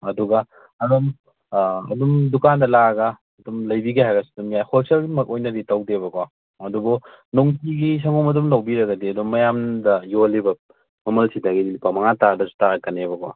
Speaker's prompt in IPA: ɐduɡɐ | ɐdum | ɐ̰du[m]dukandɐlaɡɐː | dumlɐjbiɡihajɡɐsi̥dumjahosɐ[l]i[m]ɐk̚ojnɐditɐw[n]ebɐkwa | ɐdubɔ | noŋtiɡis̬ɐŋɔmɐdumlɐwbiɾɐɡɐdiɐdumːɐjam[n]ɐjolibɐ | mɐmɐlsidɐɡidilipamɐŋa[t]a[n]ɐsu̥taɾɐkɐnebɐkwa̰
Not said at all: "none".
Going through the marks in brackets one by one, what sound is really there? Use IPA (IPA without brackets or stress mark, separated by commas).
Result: m, l, m, d, d, t, d